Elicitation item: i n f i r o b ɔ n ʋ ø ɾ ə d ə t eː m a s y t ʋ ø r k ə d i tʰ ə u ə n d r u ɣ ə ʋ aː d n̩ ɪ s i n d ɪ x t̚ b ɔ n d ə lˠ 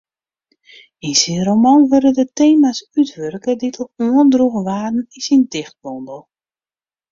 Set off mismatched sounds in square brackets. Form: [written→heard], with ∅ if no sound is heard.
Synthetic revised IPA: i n [f→s] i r o [b→m] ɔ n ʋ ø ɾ ə d ə t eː m a s y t ʋ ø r k ə d i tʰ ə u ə n d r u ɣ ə ʋ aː d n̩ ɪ s i n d ɪ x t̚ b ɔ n d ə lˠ